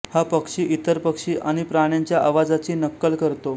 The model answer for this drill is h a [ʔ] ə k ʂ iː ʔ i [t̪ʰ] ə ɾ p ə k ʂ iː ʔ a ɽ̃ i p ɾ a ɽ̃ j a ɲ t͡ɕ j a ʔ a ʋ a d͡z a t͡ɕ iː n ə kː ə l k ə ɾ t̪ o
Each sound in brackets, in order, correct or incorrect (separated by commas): incorrect, incorrect